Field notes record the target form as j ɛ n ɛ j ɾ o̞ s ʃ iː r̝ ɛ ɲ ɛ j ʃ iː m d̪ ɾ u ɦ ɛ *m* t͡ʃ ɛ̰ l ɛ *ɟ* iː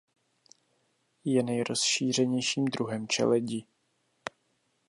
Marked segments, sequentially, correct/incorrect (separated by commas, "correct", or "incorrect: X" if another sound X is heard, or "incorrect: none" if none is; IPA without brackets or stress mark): correct, correct